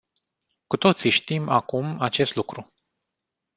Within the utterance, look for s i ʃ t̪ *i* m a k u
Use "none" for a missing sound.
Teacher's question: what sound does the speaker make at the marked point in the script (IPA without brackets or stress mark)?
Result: i